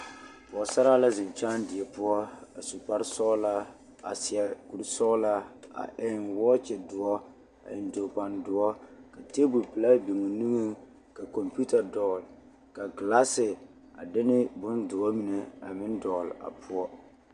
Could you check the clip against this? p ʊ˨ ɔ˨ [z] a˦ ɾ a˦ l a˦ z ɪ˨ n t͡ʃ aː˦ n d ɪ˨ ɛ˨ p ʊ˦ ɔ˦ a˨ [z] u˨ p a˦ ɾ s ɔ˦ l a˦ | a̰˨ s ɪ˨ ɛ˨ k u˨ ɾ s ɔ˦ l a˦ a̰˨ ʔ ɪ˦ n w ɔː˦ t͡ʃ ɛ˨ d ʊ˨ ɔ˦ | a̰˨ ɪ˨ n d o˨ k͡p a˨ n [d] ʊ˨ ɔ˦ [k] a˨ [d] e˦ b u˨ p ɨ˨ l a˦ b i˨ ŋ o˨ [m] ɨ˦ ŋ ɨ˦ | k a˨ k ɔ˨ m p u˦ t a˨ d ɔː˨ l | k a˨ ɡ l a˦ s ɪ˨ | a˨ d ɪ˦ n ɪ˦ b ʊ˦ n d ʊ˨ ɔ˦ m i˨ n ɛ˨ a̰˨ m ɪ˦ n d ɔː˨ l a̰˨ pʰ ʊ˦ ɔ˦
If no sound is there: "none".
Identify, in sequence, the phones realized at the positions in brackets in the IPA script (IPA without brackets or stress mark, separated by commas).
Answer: s, s, d, k, t, n